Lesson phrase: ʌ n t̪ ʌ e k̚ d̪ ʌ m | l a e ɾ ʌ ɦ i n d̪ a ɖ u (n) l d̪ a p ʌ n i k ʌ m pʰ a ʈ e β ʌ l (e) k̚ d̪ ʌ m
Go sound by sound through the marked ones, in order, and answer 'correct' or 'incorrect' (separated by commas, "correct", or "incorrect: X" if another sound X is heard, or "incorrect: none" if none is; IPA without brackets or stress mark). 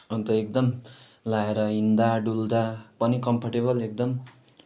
incorrect: none, correct